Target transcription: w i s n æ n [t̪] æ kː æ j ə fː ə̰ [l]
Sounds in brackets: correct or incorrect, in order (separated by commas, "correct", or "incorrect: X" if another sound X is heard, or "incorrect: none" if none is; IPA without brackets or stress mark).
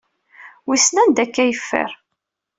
incorrect: d̪, incorrect: ɾ